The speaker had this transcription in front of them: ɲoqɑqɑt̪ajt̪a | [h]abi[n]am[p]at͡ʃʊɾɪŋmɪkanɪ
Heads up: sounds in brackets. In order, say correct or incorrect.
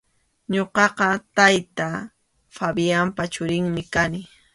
incorrect: f, incorrect: none, correct

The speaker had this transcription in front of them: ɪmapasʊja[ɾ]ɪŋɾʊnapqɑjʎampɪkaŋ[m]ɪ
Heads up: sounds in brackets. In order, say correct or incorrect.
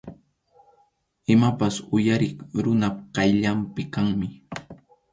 correct, correct

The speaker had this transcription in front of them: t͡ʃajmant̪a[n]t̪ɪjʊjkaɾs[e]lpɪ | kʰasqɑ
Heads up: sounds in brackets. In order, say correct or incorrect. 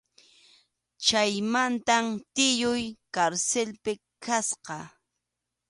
incorrect: m, correct

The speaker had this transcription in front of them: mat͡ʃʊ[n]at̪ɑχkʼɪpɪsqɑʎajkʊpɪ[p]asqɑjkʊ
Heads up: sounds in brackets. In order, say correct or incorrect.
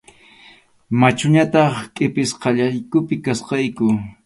incorrect: ɲ, incorrect: k

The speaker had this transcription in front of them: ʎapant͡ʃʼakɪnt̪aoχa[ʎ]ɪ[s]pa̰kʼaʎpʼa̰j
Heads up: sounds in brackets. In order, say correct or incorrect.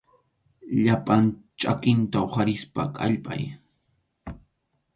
incorrect: ɾ, correct

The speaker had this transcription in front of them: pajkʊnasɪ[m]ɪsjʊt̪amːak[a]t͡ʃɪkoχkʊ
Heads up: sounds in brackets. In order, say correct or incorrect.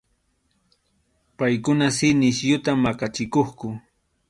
incorrect: n, correct

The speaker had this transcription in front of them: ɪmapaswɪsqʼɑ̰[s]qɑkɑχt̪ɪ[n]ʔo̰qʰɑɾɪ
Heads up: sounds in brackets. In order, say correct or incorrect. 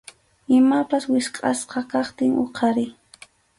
correct, incorrect: ŋ

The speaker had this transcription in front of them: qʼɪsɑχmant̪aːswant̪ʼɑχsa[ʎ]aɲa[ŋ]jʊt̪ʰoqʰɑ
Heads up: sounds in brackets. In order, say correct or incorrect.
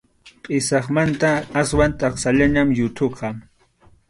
correct, incorrect: m

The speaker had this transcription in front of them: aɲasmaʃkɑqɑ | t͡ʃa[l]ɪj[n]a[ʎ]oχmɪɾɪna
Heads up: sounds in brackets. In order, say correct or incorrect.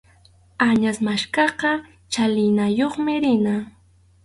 correct, correct, incorrect: j

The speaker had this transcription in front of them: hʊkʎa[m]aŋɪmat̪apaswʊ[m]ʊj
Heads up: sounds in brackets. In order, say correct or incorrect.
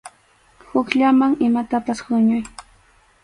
correct, incorrect: ɲ

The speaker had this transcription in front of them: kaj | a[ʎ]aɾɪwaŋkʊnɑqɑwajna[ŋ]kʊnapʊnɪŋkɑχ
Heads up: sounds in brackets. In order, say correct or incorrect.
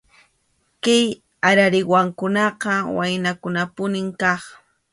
incorrect: ɾ, incorrect: none

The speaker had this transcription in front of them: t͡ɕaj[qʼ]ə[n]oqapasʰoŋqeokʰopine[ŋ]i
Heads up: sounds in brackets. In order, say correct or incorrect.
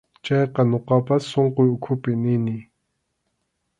incorrect: q, correct, incorrect: n

